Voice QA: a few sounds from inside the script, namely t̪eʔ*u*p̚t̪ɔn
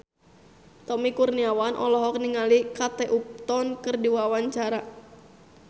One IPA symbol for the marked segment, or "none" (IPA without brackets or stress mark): u